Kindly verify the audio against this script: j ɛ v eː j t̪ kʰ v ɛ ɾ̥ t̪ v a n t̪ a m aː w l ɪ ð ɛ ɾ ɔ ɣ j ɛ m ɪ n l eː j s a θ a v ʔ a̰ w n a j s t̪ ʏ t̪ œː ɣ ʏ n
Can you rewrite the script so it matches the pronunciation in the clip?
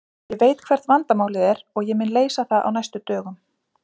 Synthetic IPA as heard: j ɛ v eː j t̪ kʰ v ɛ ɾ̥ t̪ v a n t̪ a m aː w l ɪ ð ɛ ɾ ɔ ɣ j ɛ m ɪ n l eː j s a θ a ð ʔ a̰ w n a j s t̪ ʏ t̪ œː ɣ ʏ m

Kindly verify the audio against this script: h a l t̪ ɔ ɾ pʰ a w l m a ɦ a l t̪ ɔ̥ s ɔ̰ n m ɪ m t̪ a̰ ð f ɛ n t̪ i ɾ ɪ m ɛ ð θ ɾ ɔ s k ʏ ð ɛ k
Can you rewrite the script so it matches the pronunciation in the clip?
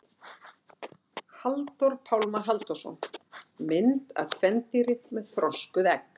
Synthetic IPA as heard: h a l t̪ ɔ ɾ pʰ a w l m a ɦ a l t̪ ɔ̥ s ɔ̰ n m ɪ n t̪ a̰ ð f ɛ n t̪ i ɾ ɪ m ɛ ð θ ɾ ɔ s k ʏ ð ɛ k

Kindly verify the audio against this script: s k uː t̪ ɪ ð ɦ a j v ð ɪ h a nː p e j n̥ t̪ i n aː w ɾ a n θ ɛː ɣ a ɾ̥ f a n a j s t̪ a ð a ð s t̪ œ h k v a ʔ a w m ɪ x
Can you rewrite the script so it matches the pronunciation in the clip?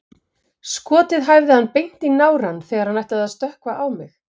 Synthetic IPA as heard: s k ɔː t̪ ɪ ð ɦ a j v ð ɪ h a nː p e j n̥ t̪ i n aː w ɾ a n θ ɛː ɣ a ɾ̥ h a n a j h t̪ a ð a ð s t̪ œ h k v a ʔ a w m ɪ x

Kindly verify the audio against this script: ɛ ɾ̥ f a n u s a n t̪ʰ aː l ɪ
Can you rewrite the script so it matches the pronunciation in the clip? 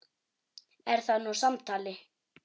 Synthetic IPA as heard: ɛ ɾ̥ θ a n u s a m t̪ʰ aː l ɪ

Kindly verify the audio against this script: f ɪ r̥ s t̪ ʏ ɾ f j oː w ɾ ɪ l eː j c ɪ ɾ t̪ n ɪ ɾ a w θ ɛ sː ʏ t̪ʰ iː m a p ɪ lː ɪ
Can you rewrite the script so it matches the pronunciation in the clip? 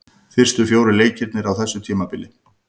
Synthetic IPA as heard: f ɪ r̥ s t̪ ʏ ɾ f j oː w ɾ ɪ l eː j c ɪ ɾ t̪ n ɪ ɾ a w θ ɛ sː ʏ t̪ʰ iː m a p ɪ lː ɪ

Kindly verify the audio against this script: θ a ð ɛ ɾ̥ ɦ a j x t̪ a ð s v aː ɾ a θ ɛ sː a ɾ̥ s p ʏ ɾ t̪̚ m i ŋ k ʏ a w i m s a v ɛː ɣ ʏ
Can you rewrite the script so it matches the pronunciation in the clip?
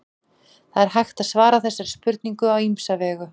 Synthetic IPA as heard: θ a ð ɛ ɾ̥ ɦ a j x t̪ a ð s v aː ɾ a θ ɛ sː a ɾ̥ s p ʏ ɾ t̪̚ n i ŋ k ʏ a w i m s a v ɛː ɣ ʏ

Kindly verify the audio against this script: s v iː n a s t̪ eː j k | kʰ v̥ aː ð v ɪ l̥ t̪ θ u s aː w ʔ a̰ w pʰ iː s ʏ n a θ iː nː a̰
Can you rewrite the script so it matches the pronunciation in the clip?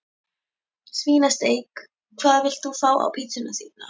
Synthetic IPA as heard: s v iː n a s t̪ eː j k | kʰ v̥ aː ð v ɪ l̥ t̪ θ u f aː w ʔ a̰ w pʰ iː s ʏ n a θ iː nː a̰

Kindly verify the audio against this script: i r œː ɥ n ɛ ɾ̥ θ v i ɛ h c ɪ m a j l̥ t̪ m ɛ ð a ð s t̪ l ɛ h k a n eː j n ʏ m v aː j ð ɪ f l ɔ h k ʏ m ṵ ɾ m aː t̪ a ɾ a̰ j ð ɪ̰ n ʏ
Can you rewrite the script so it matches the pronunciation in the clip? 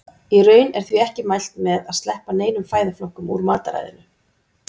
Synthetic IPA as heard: i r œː ɥ n ɛ ɾ̥ θ v i ɛ h c ɪ m a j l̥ t̪ m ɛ ð a ð s t̪ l ɛ h p a n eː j n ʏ m f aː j ð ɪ f l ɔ h k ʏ m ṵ ɾ m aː t̪ a ɾ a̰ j ð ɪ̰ n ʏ

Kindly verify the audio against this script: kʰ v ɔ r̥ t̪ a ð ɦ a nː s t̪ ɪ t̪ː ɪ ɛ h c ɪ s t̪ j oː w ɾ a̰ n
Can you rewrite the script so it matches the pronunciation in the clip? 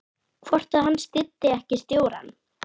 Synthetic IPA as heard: kʰ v ɔ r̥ t̪ a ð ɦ a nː s t̪ ɪ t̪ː ɪ ɛ h c ɪ s t̪ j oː w ɾ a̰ n

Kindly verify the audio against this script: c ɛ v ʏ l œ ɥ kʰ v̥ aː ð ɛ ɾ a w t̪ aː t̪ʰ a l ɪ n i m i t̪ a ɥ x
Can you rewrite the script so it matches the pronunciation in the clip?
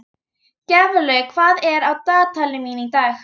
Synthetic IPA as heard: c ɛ v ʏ l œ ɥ kʰ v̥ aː ð ɛ ɾ a w t̪ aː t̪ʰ a l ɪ m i n i t̪ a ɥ x

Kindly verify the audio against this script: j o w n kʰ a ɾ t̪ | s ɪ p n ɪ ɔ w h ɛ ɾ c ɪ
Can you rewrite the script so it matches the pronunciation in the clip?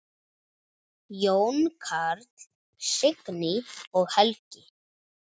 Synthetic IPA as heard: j o w n kʰ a ɾ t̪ | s ɪ k n ɪ ɔ ɣ h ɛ l c ɪ

